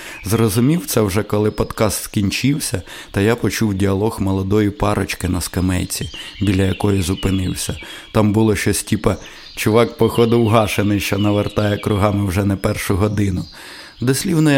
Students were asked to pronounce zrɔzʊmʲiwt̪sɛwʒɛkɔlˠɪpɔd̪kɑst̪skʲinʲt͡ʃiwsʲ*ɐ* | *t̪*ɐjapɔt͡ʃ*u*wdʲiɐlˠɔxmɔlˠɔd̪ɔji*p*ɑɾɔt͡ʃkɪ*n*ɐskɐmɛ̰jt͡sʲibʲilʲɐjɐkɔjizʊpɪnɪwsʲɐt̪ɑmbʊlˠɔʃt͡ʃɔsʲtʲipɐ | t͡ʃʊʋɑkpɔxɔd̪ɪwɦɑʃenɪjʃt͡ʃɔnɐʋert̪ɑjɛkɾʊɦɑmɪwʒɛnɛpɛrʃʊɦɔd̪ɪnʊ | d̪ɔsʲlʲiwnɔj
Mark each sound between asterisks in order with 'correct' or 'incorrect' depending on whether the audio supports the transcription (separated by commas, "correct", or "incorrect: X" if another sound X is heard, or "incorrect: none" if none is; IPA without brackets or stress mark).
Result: correct, correct, correct, correct, correct